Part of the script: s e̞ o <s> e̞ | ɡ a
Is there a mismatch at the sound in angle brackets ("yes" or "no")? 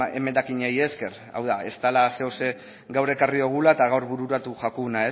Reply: no